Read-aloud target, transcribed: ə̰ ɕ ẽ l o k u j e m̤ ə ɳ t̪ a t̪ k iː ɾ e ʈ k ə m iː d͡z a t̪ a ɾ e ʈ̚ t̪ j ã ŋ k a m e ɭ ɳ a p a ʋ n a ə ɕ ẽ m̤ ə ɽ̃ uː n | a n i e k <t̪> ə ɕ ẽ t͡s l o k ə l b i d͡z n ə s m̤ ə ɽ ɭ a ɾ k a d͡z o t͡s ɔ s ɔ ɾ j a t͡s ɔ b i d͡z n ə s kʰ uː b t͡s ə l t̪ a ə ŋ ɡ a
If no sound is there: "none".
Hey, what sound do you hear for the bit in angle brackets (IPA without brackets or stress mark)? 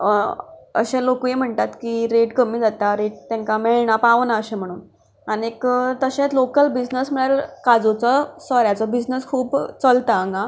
t̪